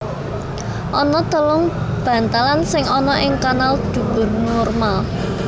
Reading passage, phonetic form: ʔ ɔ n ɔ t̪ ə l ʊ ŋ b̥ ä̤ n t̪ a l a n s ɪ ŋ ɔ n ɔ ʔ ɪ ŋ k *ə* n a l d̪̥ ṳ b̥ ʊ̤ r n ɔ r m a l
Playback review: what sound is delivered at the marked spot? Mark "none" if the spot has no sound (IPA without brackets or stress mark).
a